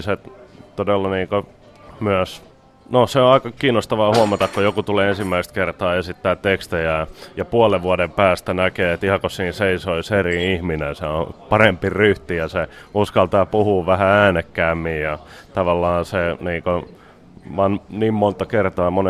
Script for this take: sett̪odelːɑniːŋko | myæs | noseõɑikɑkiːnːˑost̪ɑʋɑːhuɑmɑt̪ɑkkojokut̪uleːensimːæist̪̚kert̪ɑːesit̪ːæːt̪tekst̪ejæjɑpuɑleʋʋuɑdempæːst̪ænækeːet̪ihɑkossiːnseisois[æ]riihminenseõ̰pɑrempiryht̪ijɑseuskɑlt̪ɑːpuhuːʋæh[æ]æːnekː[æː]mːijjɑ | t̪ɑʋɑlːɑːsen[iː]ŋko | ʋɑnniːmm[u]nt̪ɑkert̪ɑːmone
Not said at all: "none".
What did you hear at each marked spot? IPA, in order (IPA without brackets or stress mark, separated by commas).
e, æ, æː, iː, o